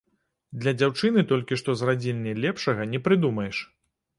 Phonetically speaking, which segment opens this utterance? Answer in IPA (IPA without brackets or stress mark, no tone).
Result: d̪